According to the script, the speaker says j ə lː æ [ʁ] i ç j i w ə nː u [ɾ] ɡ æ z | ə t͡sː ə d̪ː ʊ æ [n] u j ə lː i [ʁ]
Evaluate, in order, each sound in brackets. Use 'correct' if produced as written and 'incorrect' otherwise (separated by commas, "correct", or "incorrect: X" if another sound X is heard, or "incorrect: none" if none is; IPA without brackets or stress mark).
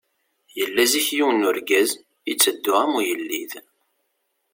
incorrect: z, correct, incorrect: m, incorrect: ð